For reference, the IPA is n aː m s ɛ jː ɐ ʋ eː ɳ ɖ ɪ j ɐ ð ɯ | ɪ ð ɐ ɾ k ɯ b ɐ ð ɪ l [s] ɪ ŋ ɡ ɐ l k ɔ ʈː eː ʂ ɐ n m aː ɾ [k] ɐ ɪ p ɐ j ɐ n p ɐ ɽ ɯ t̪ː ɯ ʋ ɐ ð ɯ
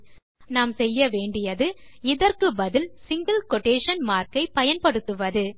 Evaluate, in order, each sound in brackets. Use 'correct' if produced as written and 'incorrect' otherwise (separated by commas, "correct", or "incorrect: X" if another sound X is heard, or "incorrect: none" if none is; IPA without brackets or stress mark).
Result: correct, correct